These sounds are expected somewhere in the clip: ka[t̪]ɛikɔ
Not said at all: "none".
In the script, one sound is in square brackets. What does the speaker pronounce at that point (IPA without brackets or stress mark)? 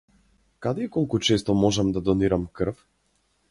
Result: d̪